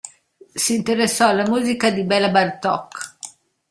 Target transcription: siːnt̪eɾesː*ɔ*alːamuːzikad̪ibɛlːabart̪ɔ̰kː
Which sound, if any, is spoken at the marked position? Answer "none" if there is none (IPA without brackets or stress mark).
ɔ